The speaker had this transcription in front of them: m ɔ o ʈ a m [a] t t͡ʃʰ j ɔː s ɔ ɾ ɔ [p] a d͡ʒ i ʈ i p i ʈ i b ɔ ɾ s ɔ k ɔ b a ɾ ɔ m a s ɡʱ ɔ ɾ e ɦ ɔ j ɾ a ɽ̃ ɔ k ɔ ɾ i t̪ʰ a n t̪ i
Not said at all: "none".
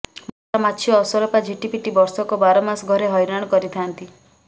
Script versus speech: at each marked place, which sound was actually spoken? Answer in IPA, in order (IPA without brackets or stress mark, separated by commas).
a, p